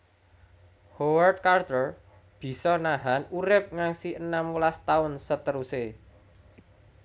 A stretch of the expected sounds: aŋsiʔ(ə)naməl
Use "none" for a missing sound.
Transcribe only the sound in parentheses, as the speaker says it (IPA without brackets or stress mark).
ə